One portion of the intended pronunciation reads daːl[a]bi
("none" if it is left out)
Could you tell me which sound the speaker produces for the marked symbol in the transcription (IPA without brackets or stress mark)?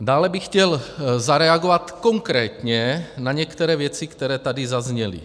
ɛ